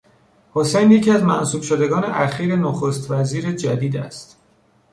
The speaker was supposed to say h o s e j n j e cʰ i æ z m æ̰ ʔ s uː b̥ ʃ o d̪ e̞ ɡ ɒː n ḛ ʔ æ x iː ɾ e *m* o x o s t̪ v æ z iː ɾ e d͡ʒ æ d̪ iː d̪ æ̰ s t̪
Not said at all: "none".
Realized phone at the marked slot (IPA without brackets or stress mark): n